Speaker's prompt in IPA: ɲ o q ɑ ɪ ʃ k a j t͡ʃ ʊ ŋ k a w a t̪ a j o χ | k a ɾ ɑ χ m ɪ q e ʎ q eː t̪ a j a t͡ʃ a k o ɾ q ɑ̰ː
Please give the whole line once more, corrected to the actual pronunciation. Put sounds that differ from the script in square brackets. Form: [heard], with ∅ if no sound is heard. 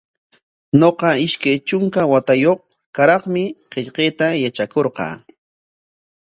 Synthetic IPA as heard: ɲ o q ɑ ɪ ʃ k a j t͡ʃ ʊ ŋ k a w a t̪ a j o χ | k a ɾ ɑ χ m ɪ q e ʎ q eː t̪ a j a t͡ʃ a k o ɾ q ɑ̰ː